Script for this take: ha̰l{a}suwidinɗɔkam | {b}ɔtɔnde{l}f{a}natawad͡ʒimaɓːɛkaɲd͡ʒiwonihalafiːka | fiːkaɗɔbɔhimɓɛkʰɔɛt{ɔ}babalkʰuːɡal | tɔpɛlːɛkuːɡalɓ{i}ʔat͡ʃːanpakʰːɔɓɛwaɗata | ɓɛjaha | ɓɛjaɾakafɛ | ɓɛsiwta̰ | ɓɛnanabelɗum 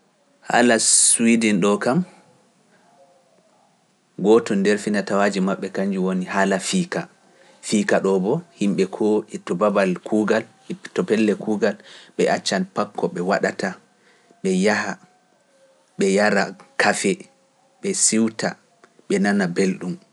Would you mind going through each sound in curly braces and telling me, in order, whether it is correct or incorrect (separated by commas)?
correct, incorrect, incorrect, incorrect, correct, incorrect